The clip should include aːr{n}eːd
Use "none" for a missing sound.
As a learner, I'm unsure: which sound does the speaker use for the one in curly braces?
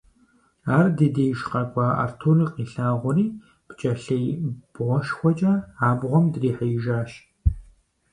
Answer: d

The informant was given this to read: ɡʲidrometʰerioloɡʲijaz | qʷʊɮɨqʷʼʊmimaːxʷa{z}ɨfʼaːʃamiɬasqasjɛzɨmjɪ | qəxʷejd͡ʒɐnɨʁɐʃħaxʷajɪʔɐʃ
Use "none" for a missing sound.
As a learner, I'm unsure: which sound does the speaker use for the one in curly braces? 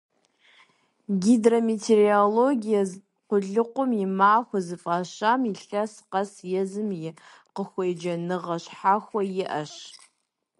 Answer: z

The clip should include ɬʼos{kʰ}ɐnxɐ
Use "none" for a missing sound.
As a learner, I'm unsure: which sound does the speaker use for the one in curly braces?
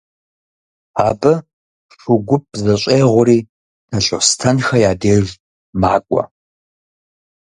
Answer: tʰ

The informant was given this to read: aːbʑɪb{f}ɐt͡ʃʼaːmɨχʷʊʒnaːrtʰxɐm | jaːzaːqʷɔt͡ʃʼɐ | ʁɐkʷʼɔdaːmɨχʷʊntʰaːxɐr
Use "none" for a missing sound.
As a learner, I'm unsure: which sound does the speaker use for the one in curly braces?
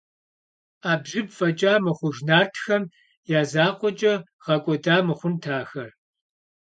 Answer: f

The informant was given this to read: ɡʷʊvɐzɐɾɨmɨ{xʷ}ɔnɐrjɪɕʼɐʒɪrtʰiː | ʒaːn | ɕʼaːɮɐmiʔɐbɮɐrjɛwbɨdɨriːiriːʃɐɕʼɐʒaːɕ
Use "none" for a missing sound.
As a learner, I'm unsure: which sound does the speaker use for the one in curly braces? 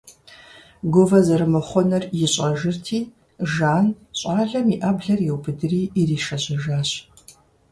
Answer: χʷ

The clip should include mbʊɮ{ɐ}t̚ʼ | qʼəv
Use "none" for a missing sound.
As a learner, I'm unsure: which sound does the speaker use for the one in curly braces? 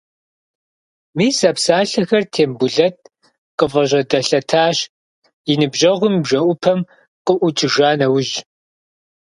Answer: ɐ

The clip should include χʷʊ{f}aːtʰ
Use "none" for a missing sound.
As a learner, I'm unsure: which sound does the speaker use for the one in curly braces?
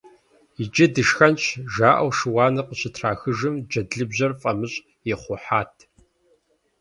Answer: ħ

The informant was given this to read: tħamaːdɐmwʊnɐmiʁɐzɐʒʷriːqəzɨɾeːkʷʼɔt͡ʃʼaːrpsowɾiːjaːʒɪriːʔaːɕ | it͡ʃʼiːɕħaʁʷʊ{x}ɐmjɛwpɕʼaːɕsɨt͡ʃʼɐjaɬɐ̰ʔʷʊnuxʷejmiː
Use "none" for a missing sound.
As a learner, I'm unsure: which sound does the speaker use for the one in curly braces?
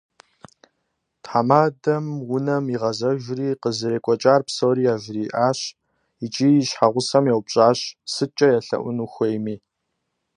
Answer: s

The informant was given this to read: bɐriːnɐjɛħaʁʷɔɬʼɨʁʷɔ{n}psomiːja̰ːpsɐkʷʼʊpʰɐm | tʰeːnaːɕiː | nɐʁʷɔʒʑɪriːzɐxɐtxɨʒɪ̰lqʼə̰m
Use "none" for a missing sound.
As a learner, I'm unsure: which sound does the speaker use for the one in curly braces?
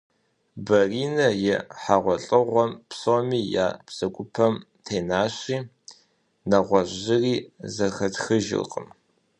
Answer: m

